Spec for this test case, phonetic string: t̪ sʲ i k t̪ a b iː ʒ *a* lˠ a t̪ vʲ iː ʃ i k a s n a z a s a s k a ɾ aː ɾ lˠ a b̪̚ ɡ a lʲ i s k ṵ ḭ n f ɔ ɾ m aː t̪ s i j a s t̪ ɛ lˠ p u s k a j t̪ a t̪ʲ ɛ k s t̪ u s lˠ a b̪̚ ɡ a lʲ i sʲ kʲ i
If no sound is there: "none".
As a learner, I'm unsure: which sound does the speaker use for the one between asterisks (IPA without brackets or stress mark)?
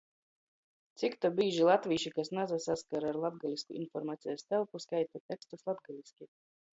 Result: i